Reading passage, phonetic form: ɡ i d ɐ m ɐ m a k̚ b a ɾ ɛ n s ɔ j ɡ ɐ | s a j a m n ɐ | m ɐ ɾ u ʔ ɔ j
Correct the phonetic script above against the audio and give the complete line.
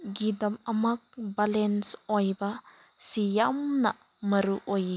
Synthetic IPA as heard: ɡ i d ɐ m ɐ m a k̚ b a l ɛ n s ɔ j b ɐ | s i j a m n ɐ | m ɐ ɾ u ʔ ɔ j